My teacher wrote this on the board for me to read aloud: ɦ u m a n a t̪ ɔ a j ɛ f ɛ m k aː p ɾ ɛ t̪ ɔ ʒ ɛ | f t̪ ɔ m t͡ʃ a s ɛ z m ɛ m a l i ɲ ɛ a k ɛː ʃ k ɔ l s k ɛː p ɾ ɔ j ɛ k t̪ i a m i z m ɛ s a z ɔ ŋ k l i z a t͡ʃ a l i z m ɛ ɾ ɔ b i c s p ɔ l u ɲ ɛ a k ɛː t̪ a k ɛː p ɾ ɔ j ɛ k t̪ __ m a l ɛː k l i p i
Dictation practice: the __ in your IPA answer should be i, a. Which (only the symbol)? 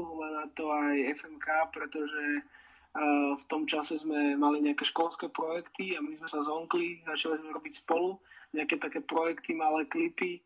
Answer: i